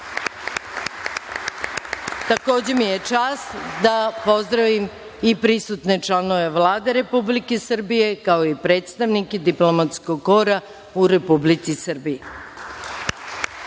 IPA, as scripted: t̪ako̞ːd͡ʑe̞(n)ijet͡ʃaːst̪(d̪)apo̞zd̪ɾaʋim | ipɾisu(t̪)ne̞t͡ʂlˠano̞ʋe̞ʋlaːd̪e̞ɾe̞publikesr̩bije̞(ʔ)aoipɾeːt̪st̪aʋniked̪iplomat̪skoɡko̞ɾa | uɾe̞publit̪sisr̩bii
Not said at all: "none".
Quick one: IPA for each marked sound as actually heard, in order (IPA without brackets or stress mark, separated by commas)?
m, d̪, t̪, k